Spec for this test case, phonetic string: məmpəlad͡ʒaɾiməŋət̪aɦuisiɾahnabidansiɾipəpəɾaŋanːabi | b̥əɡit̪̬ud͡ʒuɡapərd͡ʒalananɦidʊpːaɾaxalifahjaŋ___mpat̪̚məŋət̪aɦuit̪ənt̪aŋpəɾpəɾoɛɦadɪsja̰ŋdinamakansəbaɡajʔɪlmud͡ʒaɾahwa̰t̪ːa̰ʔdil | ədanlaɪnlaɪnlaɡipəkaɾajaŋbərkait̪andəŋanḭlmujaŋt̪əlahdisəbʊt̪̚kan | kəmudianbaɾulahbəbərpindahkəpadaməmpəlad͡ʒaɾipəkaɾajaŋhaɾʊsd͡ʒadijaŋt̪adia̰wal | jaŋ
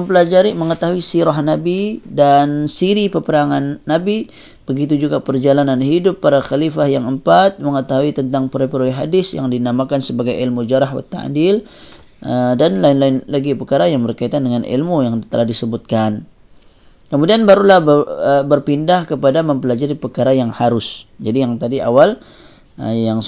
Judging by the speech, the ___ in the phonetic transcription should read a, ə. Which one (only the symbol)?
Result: ə